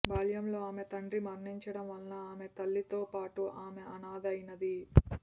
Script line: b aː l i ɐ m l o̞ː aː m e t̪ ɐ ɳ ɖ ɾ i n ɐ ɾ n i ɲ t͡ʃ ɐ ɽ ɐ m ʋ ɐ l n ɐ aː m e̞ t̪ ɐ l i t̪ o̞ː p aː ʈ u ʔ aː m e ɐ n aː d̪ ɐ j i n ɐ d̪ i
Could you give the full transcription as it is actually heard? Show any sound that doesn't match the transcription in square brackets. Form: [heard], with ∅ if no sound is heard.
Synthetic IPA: b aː l [j] ɐ m l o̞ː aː m e t̪ ɐ ɳ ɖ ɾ i [m] ɐ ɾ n i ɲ t͡ʃ ɐ ɽ ɐ m ʋ ɐ l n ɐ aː m e̞ t̪ ɐ [lː] i t̪ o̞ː p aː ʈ u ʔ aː m e ɐ n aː d̪ ɐ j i n ɐ d̪ i

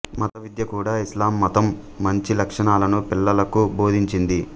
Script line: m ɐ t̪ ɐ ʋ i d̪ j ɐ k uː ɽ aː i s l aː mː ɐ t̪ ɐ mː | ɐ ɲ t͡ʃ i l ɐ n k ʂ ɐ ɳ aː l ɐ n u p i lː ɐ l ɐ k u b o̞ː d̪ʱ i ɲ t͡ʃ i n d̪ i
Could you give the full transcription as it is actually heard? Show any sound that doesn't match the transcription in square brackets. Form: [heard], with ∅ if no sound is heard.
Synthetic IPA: m ɐ t̪ ɐ ʋ i d̪ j ɐ k uː ɽ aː i s l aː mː ɐ t̪ ɐ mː | ɐ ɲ t͡ʃ i l ɐ [∅] k ʂ ɐ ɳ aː l ɐ n u p i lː ɐ l ɐ k u b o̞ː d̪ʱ i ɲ t͡ʃ i n d̪ i

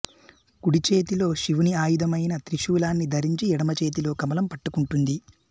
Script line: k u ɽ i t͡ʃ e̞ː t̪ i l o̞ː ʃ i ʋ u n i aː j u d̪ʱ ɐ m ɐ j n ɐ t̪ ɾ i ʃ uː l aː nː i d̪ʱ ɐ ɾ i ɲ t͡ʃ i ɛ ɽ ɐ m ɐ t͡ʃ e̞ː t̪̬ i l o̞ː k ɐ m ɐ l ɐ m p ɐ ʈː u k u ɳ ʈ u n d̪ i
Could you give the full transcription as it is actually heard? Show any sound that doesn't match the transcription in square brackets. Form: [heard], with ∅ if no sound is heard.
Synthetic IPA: k u ɽ i t͡ʃ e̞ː t̪ i l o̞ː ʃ i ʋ u n i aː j u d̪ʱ ɐ m ɐ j n ɐ t̪ ɾ i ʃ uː l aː nː i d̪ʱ ɐ ɾ i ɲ t͡ʃ i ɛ ɽ ɐ m ɐ t͡ʃ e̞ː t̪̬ i l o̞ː k ɐ m ɐ l ɐ m p ɐ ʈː u k u ɳ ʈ u n d̪ i

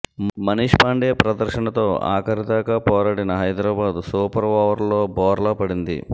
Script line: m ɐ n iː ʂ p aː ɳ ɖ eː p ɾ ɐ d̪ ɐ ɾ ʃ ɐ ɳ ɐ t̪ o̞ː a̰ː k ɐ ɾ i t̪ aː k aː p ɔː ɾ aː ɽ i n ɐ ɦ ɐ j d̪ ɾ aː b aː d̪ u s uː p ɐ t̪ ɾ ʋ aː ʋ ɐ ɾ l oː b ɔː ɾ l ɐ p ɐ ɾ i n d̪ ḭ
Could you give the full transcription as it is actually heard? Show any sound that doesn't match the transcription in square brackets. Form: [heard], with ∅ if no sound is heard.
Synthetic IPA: m ɐ n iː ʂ p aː ɳ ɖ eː p ɾ ɐ d̪ ɐ ɾ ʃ ɐ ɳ ɐ t̪ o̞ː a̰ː k ɐ ɾ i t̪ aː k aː p ɔː ɾ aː ɽ i n ɐ ɦ ɐ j d̪ ɾ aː b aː d̪ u s uː p ɐ [∅] ɾ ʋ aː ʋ ɐ ɾ l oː b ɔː ɾ l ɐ p ɐ [ɽ] i n d̪ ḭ

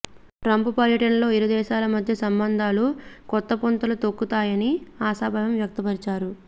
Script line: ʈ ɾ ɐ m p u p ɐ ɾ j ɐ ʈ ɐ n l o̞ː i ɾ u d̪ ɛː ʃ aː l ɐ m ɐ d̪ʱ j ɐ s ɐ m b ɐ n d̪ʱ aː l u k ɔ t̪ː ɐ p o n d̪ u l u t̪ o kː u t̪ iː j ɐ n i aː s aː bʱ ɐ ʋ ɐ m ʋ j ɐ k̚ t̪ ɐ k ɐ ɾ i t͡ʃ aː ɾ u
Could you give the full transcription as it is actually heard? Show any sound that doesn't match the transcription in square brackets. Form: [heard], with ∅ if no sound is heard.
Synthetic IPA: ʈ ɾ ɐ m p u p ɐ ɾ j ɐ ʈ ɐ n l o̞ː i ɾ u d̪ ɛː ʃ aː l ɐ m ɐ d̪ʱ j ɐ s ɐ m b ɐ n d̪ʱ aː l u k ɔ t̪ː ɐ p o n [t̪] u l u t̪ o kː u t̪ [aː] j ɐ n i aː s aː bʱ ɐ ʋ ɐ m ʋ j ɐ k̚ t̪ ɐ [p] ɐ ɾ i t͡ʃ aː ɾ u

